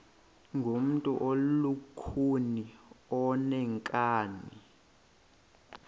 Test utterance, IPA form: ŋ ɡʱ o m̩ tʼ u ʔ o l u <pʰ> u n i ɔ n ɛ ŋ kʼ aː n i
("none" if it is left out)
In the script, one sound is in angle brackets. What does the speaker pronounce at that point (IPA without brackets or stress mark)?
kʰ